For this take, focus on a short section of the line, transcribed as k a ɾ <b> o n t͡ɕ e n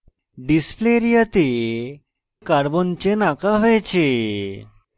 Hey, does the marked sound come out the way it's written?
yes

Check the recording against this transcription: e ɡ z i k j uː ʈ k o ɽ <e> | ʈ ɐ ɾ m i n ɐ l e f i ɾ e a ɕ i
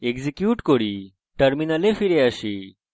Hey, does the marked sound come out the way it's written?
no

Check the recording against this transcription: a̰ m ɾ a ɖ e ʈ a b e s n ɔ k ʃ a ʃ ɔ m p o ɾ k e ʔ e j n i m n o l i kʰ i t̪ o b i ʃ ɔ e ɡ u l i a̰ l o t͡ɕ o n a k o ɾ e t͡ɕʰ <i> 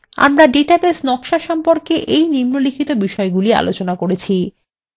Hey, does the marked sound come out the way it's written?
yes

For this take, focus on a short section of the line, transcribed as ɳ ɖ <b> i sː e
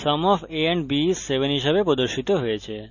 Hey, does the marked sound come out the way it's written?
yes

